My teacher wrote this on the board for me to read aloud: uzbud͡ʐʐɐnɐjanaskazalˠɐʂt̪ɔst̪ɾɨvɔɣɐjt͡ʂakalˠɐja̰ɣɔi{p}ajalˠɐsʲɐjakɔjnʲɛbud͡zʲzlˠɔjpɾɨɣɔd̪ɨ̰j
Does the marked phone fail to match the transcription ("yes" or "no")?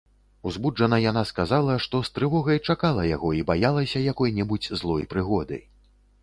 yes